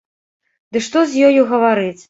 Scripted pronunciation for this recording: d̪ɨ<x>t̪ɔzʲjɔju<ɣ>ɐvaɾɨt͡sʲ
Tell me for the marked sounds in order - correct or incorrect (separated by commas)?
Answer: incorrect, correct